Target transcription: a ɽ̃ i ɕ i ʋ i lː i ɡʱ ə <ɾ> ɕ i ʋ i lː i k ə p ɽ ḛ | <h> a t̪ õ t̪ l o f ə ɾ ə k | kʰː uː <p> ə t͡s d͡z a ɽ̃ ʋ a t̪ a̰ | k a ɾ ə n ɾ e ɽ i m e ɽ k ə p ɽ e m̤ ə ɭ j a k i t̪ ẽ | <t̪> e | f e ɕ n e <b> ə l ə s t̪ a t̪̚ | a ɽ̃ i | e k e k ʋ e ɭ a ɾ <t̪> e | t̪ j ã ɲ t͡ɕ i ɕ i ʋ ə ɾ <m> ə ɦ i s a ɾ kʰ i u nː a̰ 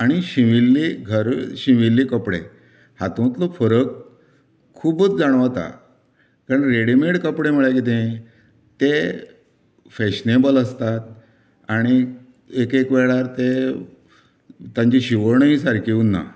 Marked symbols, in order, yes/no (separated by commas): yes, yes, no, yes, yes, yes, no